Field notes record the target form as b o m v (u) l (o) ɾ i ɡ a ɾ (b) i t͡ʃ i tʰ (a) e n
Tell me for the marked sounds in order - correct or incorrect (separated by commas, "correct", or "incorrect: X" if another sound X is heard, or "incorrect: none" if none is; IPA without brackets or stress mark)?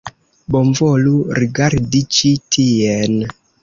incorrect: o, incorrect: u, incorrect: d, incorrect: i